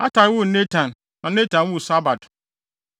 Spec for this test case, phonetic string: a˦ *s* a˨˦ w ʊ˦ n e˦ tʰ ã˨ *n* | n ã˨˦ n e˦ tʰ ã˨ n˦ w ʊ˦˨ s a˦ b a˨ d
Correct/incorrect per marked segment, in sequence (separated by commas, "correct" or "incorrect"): incorrect, correct